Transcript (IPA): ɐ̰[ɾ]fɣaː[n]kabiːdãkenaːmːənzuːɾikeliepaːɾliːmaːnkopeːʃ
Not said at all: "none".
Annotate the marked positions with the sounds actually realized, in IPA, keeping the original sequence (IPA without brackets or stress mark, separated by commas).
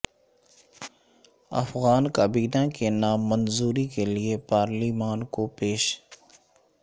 none, n